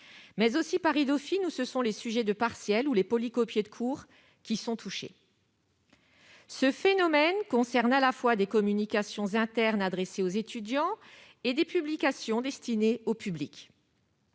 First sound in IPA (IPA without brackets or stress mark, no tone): m